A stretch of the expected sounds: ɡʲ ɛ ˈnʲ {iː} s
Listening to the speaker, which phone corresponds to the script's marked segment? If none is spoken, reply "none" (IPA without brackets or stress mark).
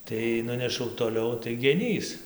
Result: iː